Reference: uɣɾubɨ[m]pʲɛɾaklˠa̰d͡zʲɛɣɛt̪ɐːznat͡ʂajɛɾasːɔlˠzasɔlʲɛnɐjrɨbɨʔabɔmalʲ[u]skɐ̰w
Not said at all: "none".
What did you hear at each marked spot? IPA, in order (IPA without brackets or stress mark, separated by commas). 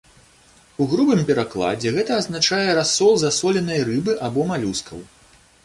m, u